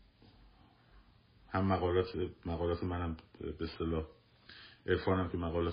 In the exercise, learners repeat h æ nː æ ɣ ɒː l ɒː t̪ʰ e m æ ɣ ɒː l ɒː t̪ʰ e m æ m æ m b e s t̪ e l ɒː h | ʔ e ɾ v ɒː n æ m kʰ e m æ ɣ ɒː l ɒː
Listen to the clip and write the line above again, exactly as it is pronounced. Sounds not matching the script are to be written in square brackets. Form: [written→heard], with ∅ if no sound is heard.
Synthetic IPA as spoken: h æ [nː→mː] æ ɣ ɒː l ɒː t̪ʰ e m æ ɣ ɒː l ɒː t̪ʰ e m æ [m→n] æ m b e s t̪ e l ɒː h | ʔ e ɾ [v→f] ɒː n æ m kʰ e m æ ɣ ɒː l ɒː